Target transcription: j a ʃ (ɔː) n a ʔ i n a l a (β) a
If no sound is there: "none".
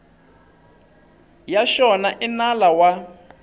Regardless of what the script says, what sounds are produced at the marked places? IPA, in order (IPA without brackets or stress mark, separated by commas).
ɔ, w